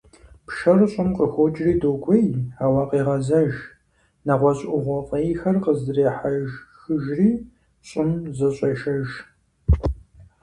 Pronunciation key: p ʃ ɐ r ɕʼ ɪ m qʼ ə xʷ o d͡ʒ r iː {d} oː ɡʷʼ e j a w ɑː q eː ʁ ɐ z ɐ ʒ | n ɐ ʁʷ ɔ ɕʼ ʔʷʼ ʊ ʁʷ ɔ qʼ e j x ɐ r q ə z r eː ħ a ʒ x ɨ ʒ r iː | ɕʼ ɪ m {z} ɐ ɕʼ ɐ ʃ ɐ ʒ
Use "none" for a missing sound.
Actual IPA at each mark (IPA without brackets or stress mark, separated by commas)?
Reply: d, z